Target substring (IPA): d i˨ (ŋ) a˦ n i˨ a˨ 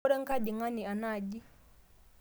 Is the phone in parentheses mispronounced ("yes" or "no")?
no